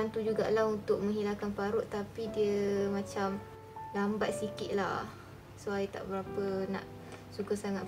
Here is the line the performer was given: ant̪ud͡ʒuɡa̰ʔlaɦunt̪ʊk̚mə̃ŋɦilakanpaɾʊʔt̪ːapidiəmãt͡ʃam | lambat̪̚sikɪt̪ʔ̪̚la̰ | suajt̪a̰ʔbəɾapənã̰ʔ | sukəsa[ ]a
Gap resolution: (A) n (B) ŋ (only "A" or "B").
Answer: B